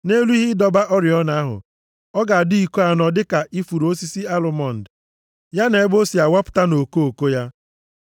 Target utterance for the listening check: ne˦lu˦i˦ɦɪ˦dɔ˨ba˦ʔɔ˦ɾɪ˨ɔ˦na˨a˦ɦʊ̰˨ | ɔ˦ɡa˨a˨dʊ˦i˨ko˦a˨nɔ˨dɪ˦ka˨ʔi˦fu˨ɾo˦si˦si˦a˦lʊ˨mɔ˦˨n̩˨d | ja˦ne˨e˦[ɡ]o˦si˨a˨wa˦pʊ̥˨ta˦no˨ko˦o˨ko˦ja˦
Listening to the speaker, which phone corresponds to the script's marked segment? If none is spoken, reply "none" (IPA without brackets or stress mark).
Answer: b